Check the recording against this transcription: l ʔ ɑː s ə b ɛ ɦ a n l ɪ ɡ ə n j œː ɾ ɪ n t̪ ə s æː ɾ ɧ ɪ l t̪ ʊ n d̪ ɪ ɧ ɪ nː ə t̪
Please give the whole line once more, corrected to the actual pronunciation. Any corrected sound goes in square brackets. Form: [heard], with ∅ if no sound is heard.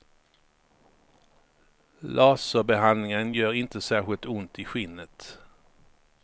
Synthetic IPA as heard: l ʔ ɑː s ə b ɛ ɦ a n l ɪ [ŋ] ə n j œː ɾ ɪ n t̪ ə s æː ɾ ɧ ɪ l t̪ ʊ n [t̪] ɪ ɧ ɪ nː ə t̪